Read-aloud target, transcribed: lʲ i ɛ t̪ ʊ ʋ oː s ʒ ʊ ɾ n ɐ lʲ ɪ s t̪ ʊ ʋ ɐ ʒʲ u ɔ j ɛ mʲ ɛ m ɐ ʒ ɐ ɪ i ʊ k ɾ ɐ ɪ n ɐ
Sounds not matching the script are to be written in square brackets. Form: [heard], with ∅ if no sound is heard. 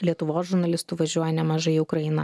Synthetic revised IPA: lʲ i ɛ t̪ ʊ ʋ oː s ʒ ʊ ɾ n ɐ lʲ ɪ s t̪ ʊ ʋ ɐ ʒʲ u ɔ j ɛ [nʲ] ɛ m ɐ ʒ ɐ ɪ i ʊ k ɾ ɐ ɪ n ɐ

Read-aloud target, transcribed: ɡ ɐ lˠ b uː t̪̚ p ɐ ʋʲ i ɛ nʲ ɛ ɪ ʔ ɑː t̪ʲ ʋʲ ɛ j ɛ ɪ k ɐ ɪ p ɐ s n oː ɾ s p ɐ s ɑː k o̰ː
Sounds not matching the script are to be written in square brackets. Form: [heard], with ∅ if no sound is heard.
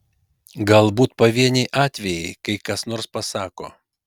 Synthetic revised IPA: ɡ ɐ lˠ b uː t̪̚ p ɐ ʋʲ i ɛ nʲ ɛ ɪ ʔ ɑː t̪ʲ ʋʲ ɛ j ɛ ɪ k ɐ ɪ [k] ɐ s n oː ɾ s p ɐ s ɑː k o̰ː

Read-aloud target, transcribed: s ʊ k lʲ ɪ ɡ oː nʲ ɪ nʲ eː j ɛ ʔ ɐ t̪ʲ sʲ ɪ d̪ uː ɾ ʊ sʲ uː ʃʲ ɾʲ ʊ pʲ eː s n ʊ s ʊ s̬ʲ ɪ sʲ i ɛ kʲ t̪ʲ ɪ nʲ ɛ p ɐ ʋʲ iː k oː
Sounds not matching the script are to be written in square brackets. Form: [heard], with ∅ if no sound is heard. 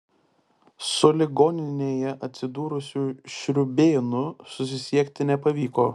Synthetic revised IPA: s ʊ [∅] lʲ ɪ ɡ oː nʲ ɪ nʲ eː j ɛ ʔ ɐ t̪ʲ sʲ ɪ d̪ uː ɾ ʊ sʲ uː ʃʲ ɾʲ ʊ [bʲ] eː [∅] n ʊ s ʊ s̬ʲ ɪ sʲ i ɛ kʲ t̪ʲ ɪ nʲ ɛ p ɐ ʋʲ iː k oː

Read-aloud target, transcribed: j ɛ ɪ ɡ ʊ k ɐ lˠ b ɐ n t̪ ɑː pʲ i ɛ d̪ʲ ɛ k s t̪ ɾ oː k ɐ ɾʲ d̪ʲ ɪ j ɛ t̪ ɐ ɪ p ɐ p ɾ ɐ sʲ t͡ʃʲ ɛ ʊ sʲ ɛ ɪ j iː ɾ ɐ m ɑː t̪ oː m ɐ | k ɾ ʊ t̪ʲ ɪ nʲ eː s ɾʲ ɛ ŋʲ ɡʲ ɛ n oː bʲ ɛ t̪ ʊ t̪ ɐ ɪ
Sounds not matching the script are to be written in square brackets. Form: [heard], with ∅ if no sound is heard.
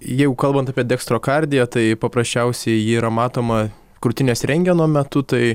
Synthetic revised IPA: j ɛ ɪ ɡ ʊ k ɐ lˠ b ɐ n t̪ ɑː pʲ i ɛ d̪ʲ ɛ k s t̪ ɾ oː k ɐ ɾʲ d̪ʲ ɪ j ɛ t̪ ɐ ɪ p ɐ p ɾ ɐ sʲ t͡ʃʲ ɛ ʊ sʲ ɛ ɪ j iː ɾ ɐ m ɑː t̪ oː m ɐ | k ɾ ʊ t̪ʲ ɪ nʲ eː s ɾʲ ɛ ŋʲ ɡʲ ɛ n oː [mʲ] ɛ t̪ ʊ t̪ ɐ ɪ

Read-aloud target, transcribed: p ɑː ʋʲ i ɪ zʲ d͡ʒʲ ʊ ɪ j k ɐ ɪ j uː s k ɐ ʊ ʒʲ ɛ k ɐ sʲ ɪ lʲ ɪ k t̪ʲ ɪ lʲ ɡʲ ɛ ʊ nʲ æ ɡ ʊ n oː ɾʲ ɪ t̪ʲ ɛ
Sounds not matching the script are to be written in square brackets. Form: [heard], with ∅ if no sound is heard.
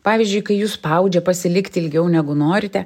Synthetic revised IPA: p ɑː ʋʲ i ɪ zʲ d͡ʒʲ ʊ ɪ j k ɐ ɪ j uː s [p] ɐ ʊ [d͡ʒʲ] ɛ [p] ɐ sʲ ɪ lʲ ɪ k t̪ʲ ɪ lʲ ɡʲ ɛ ʊ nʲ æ ɡ ʊ n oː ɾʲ ɪ t̪ʲ ɛ

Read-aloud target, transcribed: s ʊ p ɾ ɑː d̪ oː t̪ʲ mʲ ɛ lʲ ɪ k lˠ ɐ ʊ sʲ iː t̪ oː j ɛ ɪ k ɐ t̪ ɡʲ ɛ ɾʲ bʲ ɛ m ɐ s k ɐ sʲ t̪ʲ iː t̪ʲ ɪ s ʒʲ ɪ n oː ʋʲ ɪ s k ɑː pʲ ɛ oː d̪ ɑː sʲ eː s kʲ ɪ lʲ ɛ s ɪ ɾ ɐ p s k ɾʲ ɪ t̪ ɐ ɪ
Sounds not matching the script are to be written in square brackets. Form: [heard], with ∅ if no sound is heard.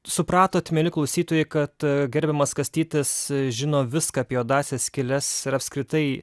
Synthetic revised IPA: s ʊ p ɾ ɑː [t̪] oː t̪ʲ mʲ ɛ lʲ ɪ k lˠ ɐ ʊ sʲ iː t̪ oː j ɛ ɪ k ɐ t̪ ɡʲ ɛ ɾʲ bʲ ɛ m ɐ s k ɐ sʲ t̪ʲ iː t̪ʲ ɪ s ʒʲ ɪ n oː ʋʲ ɪ s k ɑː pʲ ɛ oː d̪ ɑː sʲ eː s kʲ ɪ lʲ ɛ s ɪ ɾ ɐ p s k ɾʲ ɪ t̪ ɐ ɪ

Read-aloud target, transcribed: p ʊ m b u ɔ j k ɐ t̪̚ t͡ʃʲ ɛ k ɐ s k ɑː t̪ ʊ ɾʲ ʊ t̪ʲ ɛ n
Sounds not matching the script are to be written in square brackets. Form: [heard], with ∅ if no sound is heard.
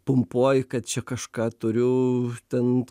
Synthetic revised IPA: p ʊ m [p] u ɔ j k ɐ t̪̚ t͡ʃʲ ɛ k ɐ [ʃ] k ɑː t̪ ʊ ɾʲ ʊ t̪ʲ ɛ n

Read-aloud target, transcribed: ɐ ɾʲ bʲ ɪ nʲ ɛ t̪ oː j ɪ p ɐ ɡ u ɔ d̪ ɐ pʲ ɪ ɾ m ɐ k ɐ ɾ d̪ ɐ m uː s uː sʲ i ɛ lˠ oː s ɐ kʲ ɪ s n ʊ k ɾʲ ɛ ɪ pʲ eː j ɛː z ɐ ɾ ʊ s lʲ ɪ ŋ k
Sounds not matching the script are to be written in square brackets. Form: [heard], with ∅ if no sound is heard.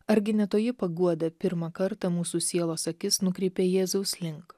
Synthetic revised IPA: ɐ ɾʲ [ɡʲ] ɪ nʲ ɛ t̪ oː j ɪ p ɐ ɡ u ɔ d̪ ɐ pʲ ɪ ɾ m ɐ k ɐ ɾ [t̪] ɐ m uː s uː sʲ i ɛ lˠ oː s ɐ kʲ ɪ s n ʊ k ɾʲ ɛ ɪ pʲ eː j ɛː z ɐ [∅] ʊ s lʲ ɪ ŋ k

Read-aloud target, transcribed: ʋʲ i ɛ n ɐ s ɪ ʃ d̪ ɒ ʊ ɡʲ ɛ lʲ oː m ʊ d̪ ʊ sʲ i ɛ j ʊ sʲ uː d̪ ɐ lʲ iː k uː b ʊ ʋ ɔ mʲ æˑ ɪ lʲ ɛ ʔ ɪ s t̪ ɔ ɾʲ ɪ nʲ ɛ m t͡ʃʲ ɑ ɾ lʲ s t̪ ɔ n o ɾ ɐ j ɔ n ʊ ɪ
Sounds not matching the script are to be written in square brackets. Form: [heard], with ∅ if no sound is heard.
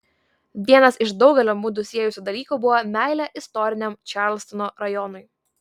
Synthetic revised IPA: ʋʲ i ɛ n ɐ s ɪ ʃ d̪ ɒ ʊ ɡʲ ɛ lʲ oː m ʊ d̪ ʊ sʲ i ɛ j ʊ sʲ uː d̪ ɐ lʲ iː k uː b ʊ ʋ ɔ mʲ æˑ ɪ lʲ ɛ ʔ ɪ s t̪ ɔ ɾʲ ɪ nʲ ɛ m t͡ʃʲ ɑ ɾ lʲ s t̪ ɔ n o ɾ ɐ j ɔ n ʊ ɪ

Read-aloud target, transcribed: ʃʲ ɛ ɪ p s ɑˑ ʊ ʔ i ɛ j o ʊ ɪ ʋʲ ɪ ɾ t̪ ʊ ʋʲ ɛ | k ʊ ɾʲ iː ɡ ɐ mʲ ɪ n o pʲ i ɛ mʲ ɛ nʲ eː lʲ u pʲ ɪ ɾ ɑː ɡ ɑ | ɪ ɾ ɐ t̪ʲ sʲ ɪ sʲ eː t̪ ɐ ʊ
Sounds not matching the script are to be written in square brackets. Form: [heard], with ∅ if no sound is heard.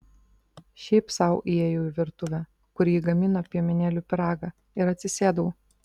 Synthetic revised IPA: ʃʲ ɛ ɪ p s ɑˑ ʊ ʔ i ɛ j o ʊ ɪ ʋʲ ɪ ɾ t̪ ʊ ʋʲ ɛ | k ʊ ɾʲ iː ɡ ɐ mʲ ɪ n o pʲ i ɛ mʲ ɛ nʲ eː lʲ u pʲ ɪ ɾ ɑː ɡ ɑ | ɪ ɾ ɐ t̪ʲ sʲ ɪ sʲ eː [d̪] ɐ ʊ

